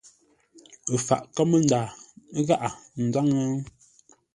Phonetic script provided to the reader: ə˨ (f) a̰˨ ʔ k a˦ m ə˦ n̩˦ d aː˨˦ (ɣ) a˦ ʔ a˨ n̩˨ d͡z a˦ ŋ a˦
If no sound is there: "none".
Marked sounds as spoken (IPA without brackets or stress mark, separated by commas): f, ɣ